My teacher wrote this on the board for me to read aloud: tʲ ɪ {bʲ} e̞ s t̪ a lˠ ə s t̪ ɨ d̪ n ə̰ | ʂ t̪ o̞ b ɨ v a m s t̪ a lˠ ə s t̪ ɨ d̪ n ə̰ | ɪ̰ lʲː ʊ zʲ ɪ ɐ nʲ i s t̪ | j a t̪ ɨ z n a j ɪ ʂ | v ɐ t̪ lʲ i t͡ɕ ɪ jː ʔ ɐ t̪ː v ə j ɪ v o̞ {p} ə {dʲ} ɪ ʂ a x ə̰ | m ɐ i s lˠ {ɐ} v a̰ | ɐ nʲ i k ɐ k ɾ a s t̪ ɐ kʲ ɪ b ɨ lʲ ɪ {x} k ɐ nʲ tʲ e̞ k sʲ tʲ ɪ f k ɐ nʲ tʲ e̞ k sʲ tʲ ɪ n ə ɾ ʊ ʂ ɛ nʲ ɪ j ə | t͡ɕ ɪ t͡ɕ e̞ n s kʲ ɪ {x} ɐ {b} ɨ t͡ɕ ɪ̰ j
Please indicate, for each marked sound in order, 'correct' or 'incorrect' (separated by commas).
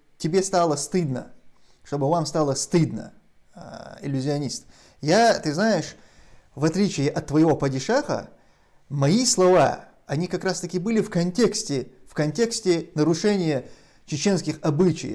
correct, correct, correct, correct, incorrect, correct, correct